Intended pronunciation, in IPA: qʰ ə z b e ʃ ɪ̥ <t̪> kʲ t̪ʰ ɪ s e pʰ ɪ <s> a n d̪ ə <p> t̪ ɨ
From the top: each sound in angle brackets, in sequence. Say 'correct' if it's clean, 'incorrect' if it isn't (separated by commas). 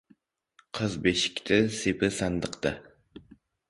incorrect, correct, incorrect